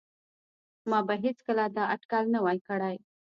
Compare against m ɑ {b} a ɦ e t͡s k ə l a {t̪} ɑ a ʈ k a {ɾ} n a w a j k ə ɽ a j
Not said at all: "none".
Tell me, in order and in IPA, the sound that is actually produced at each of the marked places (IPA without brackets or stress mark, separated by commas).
b, d̪, l